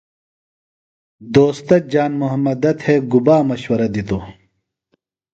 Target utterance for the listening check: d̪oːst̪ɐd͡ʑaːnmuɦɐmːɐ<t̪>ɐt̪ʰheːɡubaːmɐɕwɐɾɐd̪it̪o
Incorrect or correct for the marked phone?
incorrect: d̪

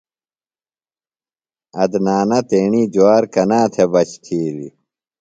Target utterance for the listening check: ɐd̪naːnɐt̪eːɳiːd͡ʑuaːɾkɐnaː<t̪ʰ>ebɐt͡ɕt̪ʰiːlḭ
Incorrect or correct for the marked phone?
correct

